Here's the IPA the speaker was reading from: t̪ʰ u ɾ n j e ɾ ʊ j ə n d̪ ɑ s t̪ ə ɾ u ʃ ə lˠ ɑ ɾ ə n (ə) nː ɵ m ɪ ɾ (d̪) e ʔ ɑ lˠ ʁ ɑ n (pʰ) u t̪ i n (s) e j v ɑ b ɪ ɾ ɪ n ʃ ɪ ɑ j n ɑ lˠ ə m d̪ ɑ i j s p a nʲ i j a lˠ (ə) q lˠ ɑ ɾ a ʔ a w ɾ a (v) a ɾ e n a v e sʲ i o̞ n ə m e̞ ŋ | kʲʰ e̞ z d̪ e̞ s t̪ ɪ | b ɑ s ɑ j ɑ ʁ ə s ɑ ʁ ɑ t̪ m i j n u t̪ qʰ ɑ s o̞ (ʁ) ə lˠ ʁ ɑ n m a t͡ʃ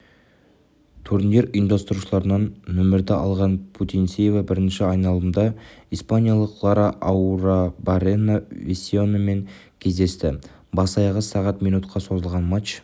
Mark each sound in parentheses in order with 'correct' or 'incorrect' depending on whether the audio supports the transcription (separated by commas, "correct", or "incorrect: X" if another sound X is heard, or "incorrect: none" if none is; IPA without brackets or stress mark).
incorrect: ɑ, correct, correct, correct, correct, incorrect: b, incorrect: z